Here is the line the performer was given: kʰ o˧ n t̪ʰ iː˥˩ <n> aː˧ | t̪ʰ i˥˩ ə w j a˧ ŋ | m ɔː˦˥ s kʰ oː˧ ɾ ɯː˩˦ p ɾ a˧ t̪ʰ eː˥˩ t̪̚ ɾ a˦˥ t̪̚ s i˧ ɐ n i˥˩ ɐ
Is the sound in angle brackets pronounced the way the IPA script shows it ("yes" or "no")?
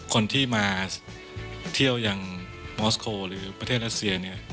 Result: no